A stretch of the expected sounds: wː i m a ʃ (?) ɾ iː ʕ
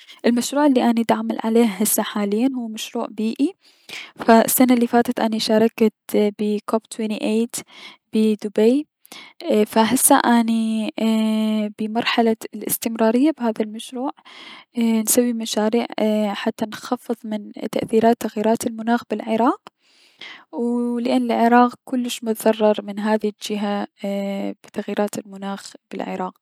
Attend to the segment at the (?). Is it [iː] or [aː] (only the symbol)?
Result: aː